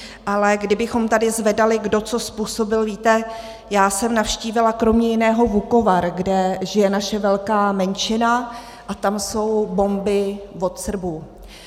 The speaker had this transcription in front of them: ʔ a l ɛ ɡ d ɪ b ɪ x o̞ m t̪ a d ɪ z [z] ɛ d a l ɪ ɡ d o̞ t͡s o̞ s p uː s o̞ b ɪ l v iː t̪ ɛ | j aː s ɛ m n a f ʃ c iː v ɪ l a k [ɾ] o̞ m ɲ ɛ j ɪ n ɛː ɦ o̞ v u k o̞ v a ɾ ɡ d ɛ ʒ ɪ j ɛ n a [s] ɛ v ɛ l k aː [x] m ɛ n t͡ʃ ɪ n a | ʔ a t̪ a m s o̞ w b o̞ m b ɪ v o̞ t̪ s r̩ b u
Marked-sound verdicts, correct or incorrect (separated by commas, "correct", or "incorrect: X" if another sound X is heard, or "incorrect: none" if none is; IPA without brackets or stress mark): incorrect: v, correct, incorrect: ʃ, incorrect: none